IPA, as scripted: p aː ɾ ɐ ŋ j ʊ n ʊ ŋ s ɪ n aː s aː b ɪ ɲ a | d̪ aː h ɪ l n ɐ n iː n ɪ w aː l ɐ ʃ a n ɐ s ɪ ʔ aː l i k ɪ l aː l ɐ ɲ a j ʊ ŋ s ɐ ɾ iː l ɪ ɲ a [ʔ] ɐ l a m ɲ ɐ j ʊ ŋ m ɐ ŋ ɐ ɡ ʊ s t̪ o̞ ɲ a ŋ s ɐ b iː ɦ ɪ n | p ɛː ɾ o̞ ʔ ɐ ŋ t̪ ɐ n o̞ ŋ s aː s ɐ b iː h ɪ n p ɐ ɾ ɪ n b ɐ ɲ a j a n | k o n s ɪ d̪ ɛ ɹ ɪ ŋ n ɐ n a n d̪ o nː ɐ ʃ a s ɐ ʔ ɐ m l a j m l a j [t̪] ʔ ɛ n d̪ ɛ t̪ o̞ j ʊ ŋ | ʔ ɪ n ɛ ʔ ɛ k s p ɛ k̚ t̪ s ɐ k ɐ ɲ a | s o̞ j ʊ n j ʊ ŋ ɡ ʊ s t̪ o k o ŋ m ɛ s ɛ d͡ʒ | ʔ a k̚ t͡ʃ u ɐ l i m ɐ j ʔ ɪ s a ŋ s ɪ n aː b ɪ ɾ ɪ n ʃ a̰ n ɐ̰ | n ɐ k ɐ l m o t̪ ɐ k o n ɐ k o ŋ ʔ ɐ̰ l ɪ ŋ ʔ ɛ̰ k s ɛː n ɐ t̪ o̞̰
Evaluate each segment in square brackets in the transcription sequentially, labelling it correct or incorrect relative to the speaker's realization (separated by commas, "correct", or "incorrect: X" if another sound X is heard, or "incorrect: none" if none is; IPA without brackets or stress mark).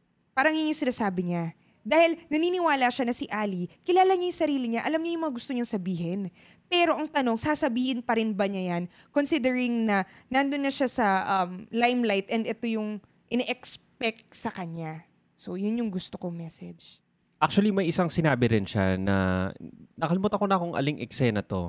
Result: correct, correct